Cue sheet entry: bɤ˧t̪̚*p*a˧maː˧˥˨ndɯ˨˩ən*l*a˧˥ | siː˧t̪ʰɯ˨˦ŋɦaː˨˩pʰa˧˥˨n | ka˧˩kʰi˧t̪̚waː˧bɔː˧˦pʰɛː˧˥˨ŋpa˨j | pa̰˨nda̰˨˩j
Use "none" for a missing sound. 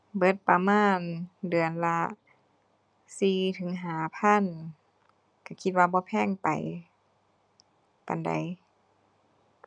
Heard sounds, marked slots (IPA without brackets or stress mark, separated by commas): p, l